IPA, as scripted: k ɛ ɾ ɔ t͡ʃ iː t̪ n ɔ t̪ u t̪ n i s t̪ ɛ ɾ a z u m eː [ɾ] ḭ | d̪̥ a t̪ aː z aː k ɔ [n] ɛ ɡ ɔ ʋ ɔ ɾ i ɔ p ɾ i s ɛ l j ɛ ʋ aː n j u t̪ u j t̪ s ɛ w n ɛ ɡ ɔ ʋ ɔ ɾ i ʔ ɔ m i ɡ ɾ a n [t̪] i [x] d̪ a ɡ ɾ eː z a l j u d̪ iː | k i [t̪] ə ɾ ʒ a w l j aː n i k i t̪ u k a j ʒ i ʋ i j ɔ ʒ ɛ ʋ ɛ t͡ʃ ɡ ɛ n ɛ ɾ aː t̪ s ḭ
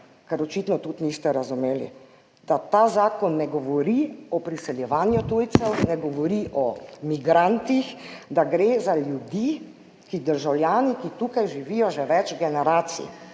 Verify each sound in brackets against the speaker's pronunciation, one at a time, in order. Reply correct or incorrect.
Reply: incorrect: l, incorrect: nː, correct, correct, incorrect: d̪

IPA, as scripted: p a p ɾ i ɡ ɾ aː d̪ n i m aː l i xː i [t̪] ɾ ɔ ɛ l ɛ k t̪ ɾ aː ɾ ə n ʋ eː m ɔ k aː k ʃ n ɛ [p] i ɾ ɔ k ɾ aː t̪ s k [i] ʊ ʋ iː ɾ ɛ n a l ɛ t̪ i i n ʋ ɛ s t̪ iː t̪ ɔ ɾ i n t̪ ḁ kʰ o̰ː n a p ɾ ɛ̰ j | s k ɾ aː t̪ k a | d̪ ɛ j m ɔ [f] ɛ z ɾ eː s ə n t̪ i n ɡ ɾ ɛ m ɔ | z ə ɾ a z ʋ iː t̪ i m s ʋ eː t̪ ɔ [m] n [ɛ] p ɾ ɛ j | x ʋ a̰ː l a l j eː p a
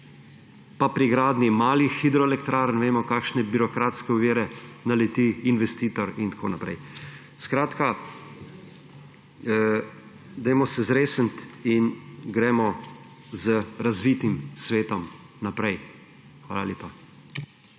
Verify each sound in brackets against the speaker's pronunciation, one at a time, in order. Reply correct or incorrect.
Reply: incorrect: d̪, incorrect: b, incorrect: ɛ, incorrect: s, correct, incorrect: a

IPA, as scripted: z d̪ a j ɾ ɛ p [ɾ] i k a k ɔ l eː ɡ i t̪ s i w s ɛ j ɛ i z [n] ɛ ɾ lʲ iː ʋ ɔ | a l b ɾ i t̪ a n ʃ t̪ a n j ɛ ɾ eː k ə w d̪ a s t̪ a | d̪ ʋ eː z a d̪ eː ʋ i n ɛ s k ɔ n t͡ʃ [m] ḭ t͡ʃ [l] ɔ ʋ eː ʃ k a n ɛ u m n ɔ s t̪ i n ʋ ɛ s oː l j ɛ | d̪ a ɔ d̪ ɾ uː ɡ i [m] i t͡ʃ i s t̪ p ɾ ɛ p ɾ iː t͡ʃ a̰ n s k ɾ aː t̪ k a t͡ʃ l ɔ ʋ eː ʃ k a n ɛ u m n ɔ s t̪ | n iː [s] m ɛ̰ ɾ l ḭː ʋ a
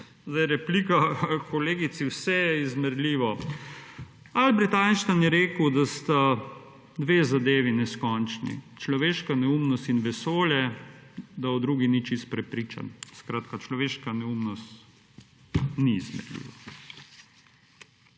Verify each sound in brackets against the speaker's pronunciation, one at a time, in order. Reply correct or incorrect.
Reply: incorrect: l, incorrect: m, incorrect: n, correct, incorrect: n, incorrect: z

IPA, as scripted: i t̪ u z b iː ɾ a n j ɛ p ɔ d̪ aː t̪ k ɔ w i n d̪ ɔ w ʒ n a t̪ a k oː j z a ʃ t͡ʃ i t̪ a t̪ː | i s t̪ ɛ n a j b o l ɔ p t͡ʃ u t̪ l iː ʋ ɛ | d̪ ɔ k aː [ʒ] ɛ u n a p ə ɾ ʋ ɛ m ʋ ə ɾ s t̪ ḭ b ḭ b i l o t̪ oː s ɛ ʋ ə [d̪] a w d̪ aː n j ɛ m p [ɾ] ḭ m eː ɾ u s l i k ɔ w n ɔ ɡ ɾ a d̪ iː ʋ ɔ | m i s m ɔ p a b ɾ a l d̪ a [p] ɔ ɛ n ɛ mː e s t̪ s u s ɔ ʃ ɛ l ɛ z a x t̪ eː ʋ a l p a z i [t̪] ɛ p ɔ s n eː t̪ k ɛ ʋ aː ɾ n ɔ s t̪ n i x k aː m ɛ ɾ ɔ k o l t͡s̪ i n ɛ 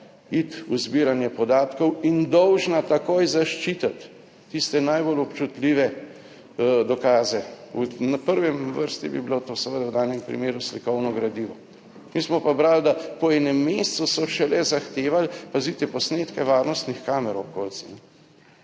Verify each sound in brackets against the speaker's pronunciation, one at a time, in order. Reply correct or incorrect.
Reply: incorrect: z, correct, correct, correct, correct

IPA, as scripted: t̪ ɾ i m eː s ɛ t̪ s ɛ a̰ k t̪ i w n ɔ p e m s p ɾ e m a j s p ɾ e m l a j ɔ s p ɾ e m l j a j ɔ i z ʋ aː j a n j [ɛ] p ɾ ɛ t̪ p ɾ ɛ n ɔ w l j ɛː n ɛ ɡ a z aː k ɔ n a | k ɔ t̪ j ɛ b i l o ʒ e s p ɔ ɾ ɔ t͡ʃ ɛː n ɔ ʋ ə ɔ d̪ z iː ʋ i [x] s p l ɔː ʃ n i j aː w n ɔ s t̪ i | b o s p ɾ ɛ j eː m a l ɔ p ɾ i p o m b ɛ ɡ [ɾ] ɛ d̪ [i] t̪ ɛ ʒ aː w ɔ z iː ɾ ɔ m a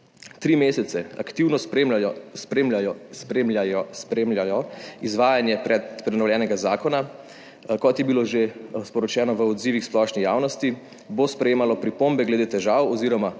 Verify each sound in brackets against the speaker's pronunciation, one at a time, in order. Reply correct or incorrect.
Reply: correct, correct, incorrect: l, incorrect: e

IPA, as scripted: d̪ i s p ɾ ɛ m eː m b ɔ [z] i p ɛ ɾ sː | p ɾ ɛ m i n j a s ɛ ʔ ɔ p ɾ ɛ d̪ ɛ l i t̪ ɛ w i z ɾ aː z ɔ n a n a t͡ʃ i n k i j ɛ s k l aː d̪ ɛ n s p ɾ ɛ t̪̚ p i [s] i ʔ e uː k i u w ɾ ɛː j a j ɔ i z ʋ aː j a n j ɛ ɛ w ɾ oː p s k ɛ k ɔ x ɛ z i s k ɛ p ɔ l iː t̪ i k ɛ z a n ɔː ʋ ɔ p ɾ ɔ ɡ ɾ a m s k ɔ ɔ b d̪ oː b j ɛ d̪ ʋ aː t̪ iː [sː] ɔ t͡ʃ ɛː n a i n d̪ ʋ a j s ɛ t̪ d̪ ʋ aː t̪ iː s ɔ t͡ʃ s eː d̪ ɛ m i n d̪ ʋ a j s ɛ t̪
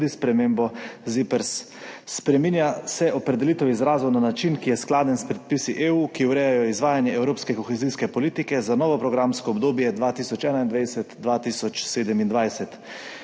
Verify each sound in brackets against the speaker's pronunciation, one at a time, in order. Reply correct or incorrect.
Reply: correct, correct, incorrect: s

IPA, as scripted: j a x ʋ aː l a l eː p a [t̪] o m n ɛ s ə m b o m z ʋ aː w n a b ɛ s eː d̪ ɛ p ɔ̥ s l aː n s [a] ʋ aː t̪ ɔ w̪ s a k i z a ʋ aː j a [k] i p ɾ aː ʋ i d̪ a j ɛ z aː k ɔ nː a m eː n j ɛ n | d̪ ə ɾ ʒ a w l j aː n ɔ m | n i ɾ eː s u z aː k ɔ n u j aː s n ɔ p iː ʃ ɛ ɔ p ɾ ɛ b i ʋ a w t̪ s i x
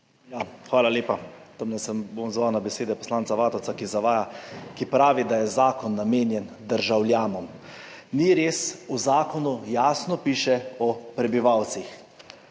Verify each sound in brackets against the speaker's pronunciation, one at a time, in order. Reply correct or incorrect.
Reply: correct, correct, correct

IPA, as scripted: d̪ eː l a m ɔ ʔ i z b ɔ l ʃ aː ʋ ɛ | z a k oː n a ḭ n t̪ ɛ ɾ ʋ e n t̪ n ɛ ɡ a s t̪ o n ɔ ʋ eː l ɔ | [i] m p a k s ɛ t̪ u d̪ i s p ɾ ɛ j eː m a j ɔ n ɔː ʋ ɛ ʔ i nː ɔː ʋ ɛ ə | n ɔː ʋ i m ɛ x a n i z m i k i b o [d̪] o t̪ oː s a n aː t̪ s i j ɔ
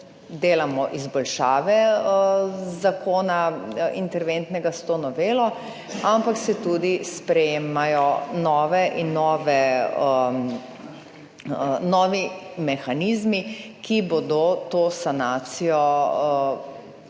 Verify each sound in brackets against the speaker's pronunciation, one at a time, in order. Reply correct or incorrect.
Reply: incorrect: a, correct

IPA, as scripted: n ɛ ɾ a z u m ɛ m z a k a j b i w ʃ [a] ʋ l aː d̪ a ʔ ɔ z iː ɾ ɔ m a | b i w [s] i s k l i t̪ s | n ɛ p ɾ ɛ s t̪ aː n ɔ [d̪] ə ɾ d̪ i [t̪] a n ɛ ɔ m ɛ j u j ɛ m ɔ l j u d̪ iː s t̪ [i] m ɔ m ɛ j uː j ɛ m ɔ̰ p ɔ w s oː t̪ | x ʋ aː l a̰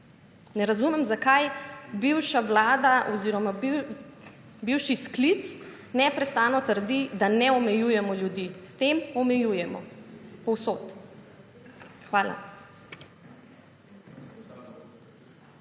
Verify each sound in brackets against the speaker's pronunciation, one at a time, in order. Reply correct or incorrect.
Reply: correct, incorrect: ʃ, incorrect: t̪, incorrect: d̪, incorrect: e

